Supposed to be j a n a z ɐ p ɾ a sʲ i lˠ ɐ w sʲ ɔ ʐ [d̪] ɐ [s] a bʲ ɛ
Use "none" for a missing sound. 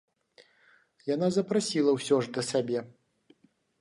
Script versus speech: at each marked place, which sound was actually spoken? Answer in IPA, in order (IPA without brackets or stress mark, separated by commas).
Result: d̪, s